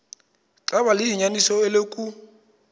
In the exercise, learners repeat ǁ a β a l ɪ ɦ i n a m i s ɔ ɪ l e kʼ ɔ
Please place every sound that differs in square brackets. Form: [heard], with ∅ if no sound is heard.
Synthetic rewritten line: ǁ a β a l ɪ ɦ i [ɲ] a [n] i s ɔ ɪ l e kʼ [u]